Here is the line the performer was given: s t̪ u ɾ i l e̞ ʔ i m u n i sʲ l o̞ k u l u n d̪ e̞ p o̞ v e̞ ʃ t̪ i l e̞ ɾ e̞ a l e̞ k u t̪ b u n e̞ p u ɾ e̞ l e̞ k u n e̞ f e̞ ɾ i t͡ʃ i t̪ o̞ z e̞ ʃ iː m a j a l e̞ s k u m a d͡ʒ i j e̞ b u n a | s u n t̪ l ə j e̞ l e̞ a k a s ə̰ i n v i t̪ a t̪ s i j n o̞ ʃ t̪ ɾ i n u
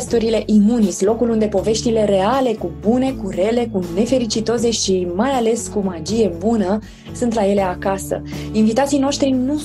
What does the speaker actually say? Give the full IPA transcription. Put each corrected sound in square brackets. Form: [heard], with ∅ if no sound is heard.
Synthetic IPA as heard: s t̪ u ɾ i l e̞ ʔ i m u n i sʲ l o̞ k u l u n d̪ e̞ p o̞ v e̞ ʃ t̪ i l e̞ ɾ e̞ a l e̞ k u [∅] b u n e̞ [k] u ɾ e̞ l e̞ k u n e̞ f e̞ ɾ i t͡ʃ i t̪ o̞ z e̞ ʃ [i] m a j a l e̞ s k u m a d͡ʒ i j e̞ b u n [ə] | s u n t̪ l [a] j e̞ l e̞ a k a s ə̰ i n v i t̪ a t̪ s i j n o̞ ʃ t̪ ɾ i n u